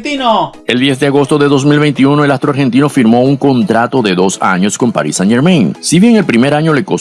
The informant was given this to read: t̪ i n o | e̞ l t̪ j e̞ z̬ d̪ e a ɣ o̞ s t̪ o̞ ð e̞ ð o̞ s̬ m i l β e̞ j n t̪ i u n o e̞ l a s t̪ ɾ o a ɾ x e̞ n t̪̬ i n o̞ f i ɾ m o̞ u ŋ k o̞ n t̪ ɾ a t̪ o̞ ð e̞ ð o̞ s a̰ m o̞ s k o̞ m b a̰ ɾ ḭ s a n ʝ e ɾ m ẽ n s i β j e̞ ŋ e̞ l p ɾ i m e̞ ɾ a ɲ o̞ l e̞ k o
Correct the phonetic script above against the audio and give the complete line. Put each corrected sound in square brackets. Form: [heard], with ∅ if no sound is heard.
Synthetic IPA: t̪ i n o | e̞ l [d̪] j e̞ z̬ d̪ e a ɣ o̞ s t̪ o̞ ð e̞ ð o̞ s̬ m i l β e̞ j n t̪ i u n o e̞ l a s t̪ ɾ o a ɾ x e̞ n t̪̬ i n o̞ f i ɾ m o̞ u ŋ k o̞ n t̪ ɾ a t̪ o̞ ð e̞ ð o̞ s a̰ [ɲ] o̞ s k o̞ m [p] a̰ ɾ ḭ s a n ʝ e ɾ m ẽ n s i β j e̞ ŋ e̞ l p ɾ i m e̞ ɾ a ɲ o̞ l e̞ k o